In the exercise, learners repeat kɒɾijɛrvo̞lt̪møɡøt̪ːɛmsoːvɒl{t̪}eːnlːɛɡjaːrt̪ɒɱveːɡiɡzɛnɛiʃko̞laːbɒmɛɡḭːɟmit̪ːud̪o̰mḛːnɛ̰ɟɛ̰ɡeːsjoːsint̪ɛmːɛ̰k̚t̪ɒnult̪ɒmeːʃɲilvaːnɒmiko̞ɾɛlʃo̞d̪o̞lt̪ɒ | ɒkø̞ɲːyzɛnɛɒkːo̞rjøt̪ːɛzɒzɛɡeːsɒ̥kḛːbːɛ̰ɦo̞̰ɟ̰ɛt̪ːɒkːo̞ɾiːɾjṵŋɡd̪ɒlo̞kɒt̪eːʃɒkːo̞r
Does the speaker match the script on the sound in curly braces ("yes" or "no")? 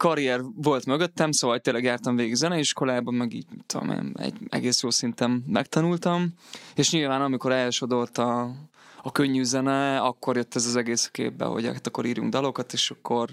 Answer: yes